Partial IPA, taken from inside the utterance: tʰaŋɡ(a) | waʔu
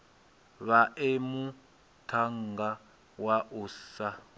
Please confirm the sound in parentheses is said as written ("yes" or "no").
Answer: yes